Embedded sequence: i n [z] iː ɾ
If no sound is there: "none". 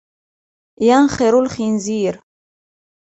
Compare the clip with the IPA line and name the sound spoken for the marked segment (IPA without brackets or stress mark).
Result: z